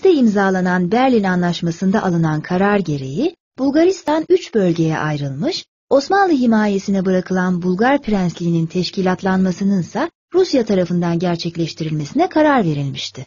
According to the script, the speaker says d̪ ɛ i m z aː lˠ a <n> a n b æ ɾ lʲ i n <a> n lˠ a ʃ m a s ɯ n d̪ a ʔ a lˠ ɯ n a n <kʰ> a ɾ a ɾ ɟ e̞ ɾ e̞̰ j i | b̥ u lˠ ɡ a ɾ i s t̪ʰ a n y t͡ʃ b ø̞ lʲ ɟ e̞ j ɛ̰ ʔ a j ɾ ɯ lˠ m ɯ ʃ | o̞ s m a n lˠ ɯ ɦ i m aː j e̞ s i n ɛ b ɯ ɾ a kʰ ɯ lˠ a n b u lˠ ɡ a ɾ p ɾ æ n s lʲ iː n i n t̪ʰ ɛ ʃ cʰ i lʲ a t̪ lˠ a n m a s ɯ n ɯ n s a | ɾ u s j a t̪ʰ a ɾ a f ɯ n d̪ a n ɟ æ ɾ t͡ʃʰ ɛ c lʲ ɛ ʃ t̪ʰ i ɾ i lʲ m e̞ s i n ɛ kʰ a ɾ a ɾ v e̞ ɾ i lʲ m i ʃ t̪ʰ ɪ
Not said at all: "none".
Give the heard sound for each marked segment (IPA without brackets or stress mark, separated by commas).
n, a, kʰ